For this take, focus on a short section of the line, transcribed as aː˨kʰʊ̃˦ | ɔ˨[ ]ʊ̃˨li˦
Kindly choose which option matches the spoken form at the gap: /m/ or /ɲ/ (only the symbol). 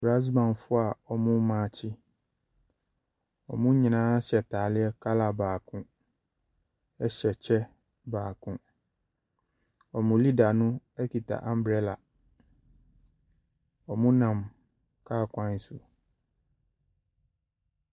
m